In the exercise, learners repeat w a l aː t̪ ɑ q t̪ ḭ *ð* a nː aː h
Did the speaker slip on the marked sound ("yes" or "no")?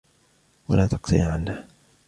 yes